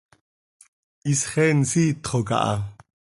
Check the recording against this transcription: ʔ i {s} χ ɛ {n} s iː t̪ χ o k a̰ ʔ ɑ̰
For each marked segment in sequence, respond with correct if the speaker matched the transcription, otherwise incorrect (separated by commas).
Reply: correct, correct